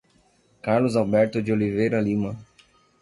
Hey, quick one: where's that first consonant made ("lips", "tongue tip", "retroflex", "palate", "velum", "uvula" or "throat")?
velum